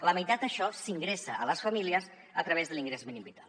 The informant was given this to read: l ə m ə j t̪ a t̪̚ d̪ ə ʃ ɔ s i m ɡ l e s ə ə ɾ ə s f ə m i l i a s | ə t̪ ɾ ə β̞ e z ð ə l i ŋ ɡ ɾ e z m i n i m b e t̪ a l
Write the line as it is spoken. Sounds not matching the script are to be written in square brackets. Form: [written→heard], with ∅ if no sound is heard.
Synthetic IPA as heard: l ə m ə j t̪ a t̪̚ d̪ ə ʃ ɔ s i [m→ŋ] ɡ [l→ɾ] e s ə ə [ɾ→l] ə s f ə m i l i [a→ə] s | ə t̪ ɾ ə β̞ e z ð ə l i ŋ ɡ ɾ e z m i n i m b [e→i] t̪ a l